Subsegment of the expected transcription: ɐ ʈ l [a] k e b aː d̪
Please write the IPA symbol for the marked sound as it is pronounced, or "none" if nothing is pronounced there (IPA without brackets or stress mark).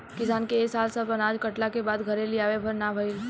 a